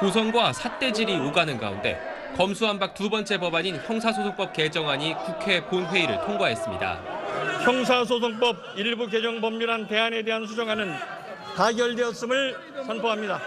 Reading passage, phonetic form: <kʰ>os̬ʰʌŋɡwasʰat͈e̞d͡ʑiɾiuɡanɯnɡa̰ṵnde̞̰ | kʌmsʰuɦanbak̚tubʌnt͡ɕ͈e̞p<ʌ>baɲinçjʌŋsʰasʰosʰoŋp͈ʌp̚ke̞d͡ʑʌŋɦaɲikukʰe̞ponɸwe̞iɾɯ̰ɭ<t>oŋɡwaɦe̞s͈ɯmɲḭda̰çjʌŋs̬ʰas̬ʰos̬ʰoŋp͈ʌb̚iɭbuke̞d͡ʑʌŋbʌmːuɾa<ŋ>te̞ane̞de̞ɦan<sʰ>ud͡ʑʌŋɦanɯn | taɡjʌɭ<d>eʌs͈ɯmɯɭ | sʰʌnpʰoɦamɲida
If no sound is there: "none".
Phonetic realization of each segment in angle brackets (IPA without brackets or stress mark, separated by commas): k, ʌ, tʰ, n, sʰ, d